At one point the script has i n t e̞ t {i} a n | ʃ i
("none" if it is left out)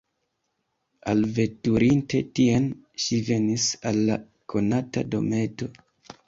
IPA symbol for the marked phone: i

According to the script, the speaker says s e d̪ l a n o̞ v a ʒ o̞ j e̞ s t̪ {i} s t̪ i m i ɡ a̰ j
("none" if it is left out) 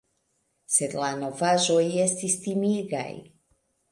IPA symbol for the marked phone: i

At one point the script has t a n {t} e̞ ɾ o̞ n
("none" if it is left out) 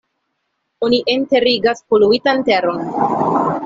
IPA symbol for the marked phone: t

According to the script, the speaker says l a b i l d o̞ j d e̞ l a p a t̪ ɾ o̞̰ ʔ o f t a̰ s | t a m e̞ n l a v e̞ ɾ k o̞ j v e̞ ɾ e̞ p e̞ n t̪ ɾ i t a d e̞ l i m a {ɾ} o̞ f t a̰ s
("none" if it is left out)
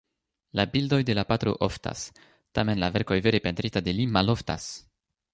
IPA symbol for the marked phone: l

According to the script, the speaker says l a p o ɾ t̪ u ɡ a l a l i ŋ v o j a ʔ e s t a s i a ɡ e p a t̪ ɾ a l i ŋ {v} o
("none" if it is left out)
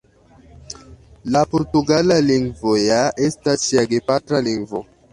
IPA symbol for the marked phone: v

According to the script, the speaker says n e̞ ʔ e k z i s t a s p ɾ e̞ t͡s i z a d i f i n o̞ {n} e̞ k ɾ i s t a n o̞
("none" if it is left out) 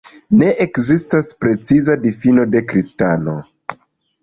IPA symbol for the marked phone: d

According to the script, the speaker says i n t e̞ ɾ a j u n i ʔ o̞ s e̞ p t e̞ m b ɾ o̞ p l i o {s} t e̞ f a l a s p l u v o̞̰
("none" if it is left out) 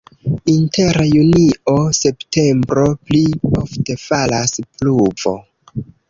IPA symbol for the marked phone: f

